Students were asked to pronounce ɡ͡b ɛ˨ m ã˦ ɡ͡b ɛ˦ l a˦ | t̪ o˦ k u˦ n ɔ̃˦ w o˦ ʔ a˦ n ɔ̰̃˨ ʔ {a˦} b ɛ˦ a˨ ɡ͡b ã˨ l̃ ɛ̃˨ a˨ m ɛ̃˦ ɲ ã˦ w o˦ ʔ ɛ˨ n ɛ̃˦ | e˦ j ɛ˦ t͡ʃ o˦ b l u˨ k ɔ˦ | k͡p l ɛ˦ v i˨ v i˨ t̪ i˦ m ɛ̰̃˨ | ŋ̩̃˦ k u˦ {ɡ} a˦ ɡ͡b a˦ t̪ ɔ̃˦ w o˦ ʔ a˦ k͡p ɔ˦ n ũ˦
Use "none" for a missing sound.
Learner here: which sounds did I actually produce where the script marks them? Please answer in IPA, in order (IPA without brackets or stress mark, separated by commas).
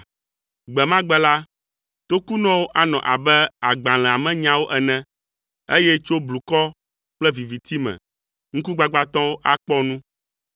a˨, ɡ͡b